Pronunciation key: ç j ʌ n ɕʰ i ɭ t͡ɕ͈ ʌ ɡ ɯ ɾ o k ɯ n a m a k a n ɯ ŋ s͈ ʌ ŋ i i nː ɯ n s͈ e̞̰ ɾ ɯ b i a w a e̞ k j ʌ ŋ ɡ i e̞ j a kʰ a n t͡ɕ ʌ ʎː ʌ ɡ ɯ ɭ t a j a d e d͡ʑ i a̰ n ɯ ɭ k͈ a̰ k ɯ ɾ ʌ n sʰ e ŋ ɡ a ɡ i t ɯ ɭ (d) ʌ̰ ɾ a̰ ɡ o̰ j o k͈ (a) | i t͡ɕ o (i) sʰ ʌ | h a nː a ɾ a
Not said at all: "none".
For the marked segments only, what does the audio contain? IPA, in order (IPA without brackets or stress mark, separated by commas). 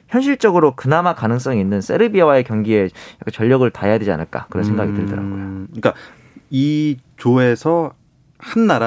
d, a, e